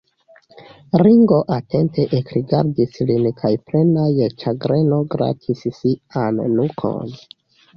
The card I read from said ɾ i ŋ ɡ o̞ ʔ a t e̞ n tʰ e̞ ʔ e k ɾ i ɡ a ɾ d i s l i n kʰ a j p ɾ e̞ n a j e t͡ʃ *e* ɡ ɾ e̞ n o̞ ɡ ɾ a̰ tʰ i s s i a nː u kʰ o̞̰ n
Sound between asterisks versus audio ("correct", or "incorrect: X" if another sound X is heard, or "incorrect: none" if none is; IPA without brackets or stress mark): incorrect: a